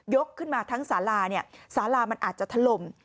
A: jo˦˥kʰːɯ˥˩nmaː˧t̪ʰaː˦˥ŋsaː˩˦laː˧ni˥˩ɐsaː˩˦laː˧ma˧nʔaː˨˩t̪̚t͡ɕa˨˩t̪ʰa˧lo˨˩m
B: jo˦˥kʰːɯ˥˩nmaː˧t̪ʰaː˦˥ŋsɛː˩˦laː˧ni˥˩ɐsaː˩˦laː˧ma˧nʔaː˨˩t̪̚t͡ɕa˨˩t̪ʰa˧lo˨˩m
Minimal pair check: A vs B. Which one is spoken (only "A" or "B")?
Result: A